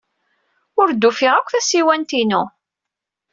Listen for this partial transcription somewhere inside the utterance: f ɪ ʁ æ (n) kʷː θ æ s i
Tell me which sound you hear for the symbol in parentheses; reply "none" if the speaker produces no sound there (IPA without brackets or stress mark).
none